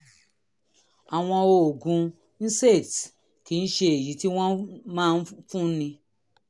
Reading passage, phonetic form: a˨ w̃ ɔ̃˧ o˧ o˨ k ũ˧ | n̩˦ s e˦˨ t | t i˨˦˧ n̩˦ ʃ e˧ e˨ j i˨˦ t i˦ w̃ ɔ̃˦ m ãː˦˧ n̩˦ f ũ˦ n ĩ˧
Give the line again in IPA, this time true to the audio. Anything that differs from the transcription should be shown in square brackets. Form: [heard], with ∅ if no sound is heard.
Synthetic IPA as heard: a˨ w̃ ɔ̃˧ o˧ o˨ [ɡ] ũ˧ | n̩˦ s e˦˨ t | [k] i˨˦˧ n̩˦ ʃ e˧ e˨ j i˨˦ t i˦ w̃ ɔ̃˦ m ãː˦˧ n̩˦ f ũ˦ n ĩ˧